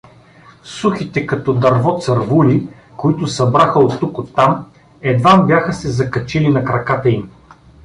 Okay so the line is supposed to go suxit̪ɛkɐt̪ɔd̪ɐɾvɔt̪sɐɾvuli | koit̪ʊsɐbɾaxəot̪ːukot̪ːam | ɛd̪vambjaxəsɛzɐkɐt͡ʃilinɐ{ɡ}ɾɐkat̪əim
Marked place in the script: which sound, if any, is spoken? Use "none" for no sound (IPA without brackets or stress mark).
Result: k